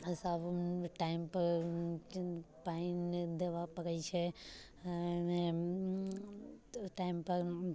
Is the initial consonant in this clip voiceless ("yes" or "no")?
yes